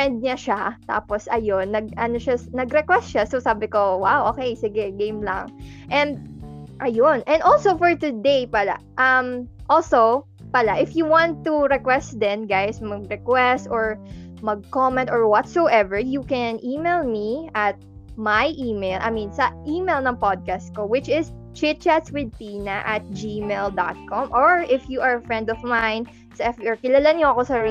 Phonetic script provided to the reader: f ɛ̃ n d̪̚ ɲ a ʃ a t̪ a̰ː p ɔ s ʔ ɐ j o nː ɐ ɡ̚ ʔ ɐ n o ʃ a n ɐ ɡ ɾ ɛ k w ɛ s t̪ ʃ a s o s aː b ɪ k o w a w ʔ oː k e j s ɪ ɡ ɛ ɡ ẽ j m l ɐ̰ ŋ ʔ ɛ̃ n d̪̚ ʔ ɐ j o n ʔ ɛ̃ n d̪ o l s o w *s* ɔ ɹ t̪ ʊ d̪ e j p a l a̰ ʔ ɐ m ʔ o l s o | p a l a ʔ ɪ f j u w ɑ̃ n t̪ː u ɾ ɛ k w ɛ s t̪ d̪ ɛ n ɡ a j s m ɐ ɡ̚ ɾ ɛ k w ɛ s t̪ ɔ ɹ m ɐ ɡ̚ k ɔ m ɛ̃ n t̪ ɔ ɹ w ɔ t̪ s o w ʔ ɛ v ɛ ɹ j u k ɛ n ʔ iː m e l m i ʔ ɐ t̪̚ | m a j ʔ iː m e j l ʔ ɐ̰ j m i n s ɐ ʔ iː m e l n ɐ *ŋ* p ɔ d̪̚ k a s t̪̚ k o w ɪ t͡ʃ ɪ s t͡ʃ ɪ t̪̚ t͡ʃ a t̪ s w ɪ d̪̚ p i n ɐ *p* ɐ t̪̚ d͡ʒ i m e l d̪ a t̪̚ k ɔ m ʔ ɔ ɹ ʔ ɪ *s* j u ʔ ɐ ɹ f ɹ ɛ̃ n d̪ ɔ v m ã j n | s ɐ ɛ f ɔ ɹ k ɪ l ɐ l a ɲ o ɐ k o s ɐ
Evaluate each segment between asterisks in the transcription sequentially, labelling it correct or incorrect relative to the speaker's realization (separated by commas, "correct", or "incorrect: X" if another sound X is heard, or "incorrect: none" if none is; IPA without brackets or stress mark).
incorrect: f, correct, incorrect: ʔ, incorrect: f